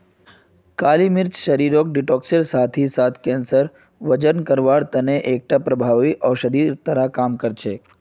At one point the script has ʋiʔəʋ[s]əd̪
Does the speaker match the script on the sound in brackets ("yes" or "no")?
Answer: no